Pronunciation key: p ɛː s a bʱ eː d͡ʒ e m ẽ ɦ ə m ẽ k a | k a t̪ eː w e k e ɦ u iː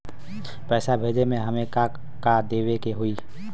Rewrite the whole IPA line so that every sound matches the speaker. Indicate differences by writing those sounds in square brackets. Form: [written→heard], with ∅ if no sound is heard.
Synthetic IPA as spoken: p ɛː s a bʱ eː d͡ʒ e m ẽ ɦ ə m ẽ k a | k a [t̪→d̪] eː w e k e ɦ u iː